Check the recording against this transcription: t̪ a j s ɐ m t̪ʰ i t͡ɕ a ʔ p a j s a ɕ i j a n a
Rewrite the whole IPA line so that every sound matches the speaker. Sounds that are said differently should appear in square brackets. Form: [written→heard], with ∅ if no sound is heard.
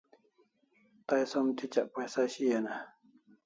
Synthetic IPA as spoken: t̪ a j s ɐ m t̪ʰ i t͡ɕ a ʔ p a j s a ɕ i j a n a